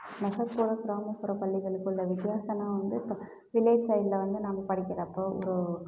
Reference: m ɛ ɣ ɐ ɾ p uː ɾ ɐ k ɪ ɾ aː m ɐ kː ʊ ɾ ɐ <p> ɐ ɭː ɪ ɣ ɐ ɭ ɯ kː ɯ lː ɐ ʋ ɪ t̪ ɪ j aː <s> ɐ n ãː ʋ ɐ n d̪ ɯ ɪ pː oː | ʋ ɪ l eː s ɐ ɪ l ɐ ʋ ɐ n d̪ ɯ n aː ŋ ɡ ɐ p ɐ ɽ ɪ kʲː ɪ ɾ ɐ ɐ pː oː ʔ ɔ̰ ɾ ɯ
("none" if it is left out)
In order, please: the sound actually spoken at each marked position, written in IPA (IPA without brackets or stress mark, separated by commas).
p, s